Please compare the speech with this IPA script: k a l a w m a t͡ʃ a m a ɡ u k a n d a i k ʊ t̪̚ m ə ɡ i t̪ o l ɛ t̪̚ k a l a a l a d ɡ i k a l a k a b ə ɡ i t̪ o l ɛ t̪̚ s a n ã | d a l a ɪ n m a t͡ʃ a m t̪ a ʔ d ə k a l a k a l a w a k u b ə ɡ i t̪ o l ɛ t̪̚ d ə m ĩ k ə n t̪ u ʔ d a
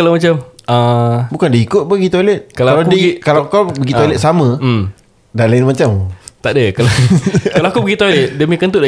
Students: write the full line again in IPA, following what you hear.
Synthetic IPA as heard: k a l a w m a t͡ʃ a m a b u k a n d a i k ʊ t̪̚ b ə ɡ i t̪ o l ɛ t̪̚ k a l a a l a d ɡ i k a l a k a b ə ɡ i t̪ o l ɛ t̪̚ s a m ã | d a l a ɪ n m a t͡ʃ a m t̪ a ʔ d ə k a l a k a l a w a k u b ə ɡ i t̪ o l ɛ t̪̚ d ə m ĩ k ə n t̪ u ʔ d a